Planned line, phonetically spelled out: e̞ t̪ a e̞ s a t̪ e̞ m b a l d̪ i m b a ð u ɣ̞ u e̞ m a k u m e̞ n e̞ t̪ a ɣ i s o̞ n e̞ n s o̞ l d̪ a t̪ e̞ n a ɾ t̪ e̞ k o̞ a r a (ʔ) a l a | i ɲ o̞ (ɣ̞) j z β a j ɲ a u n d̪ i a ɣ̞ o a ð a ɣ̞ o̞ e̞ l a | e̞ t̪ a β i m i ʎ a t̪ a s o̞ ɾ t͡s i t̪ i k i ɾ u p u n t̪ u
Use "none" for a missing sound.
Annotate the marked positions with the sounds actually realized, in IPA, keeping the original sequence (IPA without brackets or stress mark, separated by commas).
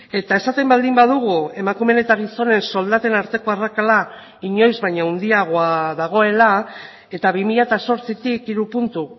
k, none